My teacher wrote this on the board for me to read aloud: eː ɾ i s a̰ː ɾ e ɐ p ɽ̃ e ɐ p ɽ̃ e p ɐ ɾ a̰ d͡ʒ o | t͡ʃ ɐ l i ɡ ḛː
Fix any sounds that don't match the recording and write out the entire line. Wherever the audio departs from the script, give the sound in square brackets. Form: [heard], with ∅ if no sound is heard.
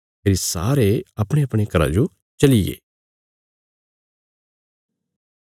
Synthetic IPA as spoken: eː ɾ i s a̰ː ɾ e ɐ p ɽ̃ e ɐ p ɽ̃ e [k] ɐ ɾ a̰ d͡ʒ o | t͡ʃ ɐ l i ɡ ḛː